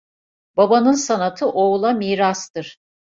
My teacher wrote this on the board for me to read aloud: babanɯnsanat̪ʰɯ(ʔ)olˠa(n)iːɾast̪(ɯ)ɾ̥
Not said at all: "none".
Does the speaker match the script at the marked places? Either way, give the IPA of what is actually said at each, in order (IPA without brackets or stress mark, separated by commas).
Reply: ʔ, m, ɯ